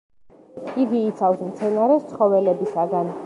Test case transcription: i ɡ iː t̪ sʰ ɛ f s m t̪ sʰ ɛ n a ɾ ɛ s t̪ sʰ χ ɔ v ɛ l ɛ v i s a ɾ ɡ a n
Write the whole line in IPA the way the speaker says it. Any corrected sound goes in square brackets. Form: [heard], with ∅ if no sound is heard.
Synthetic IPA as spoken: i ɡ iː t̪ sʰ [a] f s m t̪ sʰ ɛ n a ɾ ɛ s t̪ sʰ χ ɔ v ɛ l ɛ [b] i s a [∅] ɡ a n